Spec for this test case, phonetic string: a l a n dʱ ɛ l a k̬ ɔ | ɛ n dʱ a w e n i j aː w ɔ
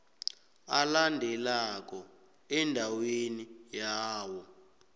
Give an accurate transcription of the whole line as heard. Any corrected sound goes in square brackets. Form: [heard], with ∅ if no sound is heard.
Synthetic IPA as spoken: a l a n dʱ ɛ l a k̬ ɔ | ɛ n dʱ a w e n i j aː w ɔ

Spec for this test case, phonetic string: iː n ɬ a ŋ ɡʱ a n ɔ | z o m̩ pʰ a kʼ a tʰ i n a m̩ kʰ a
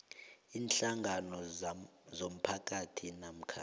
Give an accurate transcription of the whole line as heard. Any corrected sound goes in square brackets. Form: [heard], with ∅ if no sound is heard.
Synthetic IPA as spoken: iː n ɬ a ŋ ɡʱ a n ɔ | z o m̩ pʰ a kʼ a tʰ i n a m̩ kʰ a

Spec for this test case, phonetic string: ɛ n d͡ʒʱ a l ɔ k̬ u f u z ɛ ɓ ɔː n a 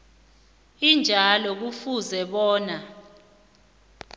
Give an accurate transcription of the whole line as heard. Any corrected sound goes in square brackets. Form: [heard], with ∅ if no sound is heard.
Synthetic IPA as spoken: [i] n d͡ʒʱ a l ɔ k̬ u f u z ɛ ɓ ɔː n a

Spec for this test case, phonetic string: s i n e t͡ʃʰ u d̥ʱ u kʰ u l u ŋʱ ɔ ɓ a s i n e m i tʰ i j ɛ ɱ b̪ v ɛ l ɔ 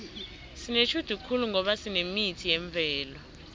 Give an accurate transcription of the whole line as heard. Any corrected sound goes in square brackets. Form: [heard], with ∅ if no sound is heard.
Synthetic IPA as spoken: s i n e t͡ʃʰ u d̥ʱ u kʰ u l u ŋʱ ɔ ɓ a s i n e m i tʰ i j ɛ ɱ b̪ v [ɛː] l ɔ

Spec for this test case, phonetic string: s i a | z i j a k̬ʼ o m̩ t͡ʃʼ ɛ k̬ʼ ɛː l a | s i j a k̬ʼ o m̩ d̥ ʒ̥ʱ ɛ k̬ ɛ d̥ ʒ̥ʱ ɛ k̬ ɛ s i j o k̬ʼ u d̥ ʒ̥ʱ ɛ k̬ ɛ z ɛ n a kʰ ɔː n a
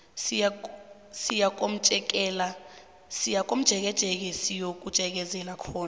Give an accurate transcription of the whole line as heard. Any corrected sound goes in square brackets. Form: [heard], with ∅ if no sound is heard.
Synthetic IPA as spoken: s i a | [s] i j a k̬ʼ o m̩ t͡ʃʼ ɛ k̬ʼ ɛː l a | s i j a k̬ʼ o m̩ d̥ ʒ̥ʱ ɛ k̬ ɛ d̥ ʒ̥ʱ ɛ k̬ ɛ s i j o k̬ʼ u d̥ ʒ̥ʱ ɛ k̬ ɛ z ɛ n a kʰ ɔː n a

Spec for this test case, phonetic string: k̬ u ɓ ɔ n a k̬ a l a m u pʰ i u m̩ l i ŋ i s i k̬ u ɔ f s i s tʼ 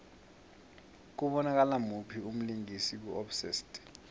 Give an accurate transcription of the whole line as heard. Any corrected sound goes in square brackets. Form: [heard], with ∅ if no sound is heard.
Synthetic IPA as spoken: k̬ u ɓ ɔ n a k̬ a l a m u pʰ i u m̩ l i ŋ i s i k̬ u ɔ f s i s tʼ

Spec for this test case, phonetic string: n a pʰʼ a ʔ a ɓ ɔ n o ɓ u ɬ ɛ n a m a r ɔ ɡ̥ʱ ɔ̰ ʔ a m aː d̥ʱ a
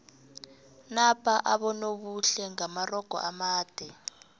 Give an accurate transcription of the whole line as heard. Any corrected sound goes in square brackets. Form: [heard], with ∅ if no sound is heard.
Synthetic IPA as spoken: n a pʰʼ a ʔ a ɓ ɔ n o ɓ u ɬ ɛ [ŋ] a m a r ɔ ɡ̥ʱ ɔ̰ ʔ a m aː d̥ʱ [ɛ]

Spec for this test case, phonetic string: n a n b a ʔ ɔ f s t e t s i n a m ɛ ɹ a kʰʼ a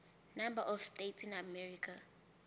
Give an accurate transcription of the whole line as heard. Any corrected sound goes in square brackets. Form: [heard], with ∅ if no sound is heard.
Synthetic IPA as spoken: n a [m] b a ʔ ɔ f s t e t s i n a m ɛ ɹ [i] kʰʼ a

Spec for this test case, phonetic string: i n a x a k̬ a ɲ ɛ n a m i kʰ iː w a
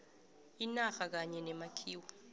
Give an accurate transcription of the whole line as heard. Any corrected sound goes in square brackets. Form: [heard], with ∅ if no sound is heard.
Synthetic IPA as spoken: i n a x a k̬ a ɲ ɛ n [ɛ] m [a] kʰ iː w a

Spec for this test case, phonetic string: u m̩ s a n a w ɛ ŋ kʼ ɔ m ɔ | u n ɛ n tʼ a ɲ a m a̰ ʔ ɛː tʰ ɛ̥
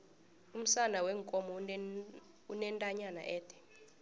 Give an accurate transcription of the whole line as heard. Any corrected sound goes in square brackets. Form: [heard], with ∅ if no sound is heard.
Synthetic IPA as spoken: u m̩ s a n a w ɛ ŋ kʼ ɔ m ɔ | u n ɛ n tʼ a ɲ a [n] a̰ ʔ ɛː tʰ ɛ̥

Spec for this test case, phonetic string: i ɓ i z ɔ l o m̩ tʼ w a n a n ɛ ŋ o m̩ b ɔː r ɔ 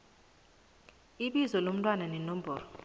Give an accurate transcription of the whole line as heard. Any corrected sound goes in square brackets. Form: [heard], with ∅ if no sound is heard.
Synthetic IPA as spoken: i ɓ i z ɔ l o m̩ tʼ w a n a n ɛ [n] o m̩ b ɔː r ɔ

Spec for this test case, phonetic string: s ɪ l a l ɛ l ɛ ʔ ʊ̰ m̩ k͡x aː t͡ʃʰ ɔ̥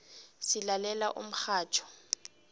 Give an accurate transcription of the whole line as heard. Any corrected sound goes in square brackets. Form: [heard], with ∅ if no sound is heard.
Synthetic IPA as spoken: s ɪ l a l ɛ l [a] ʔ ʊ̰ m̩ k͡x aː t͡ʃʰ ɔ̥

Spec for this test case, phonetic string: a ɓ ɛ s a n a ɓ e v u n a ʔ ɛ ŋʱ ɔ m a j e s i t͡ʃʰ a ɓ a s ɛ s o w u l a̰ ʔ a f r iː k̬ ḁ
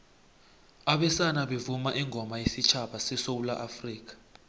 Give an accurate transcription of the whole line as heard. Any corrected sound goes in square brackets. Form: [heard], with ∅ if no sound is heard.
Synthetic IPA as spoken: a ɓ ɛ s a n a ɓ e v u [m] a ʔ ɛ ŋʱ ɔ m a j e s i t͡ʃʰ a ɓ a s ɛ s o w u l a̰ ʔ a f r iː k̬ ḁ

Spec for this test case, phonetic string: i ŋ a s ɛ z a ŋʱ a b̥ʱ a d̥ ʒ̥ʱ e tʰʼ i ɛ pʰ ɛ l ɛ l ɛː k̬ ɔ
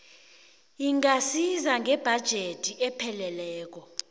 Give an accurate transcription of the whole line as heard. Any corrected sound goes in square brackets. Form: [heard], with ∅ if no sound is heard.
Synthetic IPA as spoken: i ŋ a s [i] z a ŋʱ [ɛ] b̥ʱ a d̥ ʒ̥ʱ e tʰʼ i ɛ pʰ ɛ l ɛ l ɛː k̬ ɔ

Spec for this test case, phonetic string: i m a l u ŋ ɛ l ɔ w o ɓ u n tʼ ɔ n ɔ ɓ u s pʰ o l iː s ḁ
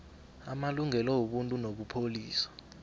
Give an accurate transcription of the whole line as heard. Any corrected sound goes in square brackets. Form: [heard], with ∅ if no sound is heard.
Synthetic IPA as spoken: [a] m a l u ŋ ɛ l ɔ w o ɓ u n tʼ [u] n [o] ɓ u [∅] pʰ o l iː s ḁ

